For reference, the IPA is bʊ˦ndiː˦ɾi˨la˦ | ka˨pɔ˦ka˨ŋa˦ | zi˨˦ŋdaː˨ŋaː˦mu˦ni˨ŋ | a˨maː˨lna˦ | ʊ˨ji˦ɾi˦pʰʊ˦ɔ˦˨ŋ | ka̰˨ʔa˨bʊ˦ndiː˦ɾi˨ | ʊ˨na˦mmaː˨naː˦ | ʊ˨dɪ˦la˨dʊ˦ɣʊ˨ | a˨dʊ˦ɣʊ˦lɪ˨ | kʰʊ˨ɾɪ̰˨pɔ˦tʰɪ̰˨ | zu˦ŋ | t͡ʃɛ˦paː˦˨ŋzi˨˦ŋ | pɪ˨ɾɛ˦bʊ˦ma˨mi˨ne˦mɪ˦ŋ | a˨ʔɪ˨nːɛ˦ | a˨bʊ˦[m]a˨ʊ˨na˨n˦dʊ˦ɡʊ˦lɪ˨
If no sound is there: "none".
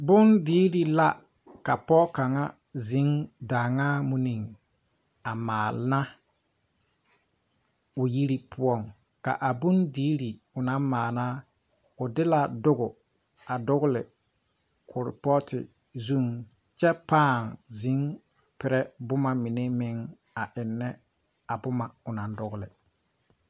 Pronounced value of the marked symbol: m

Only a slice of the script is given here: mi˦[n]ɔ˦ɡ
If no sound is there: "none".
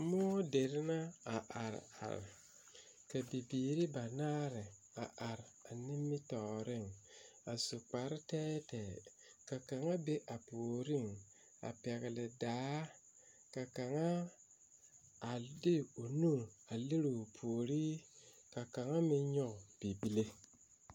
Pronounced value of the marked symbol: ɲ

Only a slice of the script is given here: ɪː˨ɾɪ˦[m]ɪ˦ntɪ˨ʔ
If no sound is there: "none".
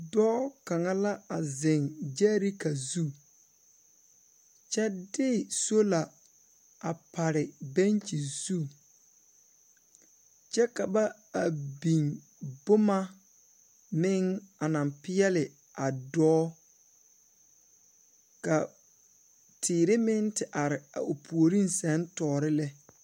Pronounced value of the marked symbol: m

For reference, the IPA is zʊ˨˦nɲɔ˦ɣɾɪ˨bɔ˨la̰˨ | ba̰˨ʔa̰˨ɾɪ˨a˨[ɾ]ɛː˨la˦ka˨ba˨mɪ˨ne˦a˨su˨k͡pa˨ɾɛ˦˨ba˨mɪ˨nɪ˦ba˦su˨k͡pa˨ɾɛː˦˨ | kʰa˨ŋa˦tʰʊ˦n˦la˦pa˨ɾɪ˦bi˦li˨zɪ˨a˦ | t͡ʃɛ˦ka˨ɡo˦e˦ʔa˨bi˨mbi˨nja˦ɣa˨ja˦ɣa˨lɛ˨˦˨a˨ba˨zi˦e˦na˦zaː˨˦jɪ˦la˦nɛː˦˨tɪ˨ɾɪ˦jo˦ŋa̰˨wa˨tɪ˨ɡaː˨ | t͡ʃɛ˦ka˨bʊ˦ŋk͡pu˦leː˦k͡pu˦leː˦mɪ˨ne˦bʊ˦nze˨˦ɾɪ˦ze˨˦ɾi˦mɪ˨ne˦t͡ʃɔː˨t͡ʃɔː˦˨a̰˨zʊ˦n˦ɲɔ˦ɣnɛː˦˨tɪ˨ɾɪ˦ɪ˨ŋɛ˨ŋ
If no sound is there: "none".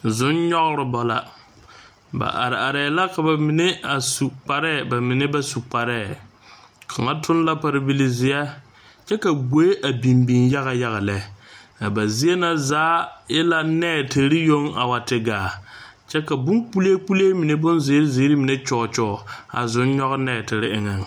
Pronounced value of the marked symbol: ɾ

